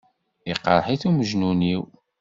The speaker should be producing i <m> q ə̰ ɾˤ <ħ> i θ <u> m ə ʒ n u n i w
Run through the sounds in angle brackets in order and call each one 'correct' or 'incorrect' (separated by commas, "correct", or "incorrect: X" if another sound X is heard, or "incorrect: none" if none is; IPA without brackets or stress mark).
incorrect: none, correct, correct